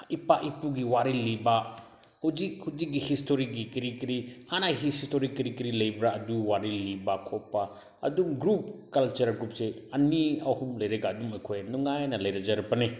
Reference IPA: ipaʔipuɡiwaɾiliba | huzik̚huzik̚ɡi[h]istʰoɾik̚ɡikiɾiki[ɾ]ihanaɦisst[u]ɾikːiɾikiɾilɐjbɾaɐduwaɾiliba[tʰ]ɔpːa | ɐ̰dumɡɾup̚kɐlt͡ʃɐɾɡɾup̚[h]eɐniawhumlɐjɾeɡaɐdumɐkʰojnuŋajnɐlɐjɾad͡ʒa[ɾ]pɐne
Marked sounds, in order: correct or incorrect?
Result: correct, correct, incorrect, incorrect, incorrect, correct

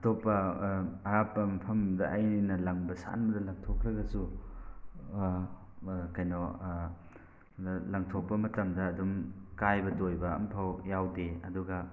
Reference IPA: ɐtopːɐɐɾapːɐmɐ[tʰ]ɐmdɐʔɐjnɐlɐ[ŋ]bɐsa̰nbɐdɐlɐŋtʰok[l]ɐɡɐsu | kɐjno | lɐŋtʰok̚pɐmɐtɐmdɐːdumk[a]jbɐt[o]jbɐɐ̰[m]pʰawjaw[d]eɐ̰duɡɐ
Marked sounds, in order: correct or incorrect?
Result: incorrect, correct, incorrect, correct, correct, correct, correct

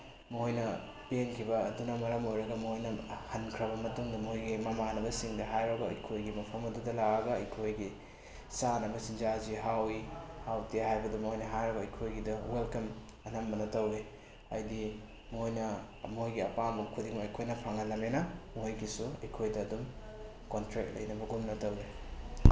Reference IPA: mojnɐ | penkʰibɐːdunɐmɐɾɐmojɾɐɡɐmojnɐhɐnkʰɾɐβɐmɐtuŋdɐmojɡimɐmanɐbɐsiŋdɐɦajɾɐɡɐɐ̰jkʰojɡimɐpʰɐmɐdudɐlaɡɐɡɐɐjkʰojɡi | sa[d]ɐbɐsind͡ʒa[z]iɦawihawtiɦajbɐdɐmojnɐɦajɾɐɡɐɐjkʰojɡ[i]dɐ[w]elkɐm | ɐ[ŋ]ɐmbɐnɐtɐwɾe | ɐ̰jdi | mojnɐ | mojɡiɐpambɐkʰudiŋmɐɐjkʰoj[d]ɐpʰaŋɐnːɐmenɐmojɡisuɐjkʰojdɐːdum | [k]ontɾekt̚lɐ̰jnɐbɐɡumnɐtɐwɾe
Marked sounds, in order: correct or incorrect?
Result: incorrect, correct, correct, correct, incorrect, incorrect, correct

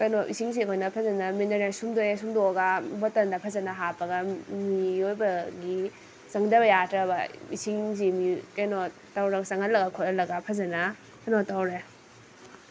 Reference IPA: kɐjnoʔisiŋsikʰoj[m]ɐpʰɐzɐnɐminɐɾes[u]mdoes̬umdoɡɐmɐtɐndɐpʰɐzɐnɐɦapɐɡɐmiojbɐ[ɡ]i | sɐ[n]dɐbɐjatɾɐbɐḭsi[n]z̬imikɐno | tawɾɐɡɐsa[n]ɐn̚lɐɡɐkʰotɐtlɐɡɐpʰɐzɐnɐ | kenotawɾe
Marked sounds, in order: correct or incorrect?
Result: incorrect, correct, correct, incorrect, incorrect, incorrect

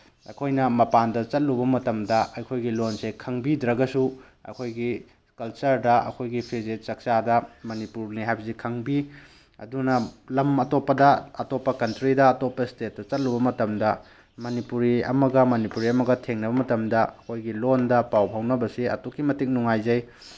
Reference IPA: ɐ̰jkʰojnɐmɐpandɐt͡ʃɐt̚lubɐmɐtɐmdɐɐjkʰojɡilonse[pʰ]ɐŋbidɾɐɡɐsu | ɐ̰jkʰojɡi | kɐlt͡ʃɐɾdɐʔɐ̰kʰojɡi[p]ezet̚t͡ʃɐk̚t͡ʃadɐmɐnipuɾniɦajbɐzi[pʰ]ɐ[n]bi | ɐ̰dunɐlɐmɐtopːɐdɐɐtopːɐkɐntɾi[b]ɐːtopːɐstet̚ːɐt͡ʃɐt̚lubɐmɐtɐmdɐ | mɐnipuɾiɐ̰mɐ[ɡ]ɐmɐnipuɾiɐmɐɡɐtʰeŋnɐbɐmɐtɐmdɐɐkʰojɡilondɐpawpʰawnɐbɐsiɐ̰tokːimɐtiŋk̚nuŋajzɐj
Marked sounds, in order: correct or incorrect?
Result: incorrect, incorrect, incorrect, incorrect, incorrect, correct

